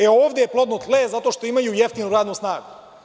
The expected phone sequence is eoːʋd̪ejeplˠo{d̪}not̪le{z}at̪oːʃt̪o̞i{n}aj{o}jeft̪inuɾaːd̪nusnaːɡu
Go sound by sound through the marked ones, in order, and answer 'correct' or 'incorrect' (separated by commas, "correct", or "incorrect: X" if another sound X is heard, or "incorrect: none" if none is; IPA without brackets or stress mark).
correct, correct, incorrect: m, incorrect: u